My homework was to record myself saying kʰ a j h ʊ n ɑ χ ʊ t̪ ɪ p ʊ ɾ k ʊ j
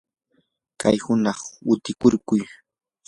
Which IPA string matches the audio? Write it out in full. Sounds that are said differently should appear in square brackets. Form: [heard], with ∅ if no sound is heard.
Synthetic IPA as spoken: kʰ a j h ʊ n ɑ χ ʊ t̪ ɪ [k] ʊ ɾ k ʊ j